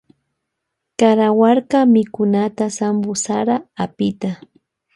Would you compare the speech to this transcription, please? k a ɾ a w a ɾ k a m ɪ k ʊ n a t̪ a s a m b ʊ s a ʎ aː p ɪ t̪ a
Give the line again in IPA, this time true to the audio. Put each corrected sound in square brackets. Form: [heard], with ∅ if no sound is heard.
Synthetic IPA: k a ɾ a w a ɾ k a m ɪ k ʊ n a t̪ a s a m b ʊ s a [ɾ] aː p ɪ t̪ a